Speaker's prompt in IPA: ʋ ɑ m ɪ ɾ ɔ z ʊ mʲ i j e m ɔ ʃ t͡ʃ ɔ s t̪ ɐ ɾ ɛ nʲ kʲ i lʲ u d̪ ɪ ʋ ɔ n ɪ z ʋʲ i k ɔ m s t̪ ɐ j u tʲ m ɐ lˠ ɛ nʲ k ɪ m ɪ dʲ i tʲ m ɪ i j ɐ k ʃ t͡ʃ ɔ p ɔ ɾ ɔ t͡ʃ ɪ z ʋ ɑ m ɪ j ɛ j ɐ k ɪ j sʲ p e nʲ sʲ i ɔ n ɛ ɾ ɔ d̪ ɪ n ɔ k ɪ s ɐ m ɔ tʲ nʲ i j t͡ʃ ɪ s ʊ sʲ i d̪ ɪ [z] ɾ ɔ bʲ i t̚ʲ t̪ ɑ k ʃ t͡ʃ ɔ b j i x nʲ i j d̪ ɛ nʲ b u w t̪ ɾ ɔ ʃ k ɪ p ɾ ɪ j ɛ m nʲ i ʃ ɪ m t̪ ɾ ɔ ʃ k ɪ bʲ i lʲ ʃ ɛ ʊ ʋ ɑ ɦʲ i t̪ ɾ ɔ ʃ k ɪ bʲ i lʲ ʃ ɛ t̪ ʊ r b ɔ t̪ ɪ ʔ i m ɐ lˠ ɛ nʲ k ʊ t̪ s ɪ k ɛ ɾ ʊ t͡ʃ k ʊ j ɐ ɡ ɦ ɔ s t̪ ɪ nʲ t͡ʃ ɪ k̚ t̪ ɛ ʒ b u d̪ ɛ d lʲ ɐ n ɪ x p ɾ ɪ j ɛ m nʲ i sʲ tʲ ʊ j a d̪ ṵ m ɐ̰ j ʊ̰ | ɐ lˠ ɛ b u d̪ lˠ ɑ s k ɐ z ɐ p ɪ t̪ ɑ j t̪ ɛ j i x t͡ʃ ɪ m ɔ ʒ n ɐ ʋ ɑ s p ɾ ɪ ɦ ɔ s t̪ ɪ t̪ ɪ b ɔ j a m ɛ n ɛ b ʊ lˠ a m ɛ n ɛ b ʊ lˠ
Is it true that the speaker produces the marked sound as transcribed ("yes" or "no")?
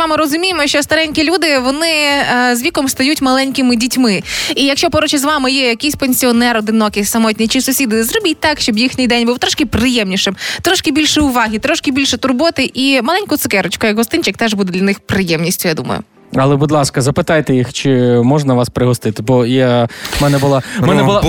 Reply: yes